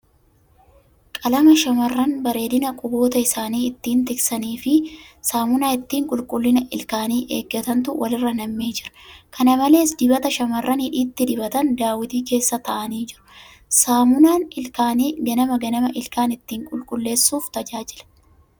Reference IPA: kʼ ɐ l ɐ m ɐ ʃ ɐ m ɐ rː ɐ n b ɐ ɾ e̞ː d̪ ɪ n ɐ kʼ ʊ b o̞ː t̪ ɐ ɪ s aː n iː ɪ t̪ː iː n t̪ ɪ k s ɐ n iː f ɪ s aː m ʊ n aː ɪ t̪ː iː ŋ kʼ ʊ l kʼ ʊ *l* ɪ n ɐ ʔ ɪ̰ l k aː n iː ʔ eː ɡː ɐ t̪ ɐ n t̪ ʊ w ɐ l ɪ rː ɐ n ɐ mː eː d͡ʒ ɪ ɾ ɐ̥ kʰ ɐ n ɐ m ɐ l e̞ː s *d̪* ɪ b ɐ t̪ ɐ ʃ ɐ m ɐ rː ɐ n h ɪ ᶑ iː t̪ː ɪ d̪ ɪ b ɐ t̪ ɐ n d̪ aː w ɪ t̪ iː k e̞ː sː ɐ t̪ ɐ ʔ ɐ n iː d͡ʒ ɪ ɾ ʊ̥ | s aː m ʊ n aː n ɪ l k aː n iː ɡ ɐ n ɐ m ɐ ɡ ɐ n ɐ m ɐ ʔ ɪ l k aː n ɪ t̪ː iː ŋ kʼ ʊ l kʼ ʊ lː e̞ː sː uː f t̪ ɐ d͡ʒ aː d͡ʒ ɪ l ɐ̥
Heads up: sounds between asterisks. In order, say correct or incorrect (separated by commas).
incorrect, correct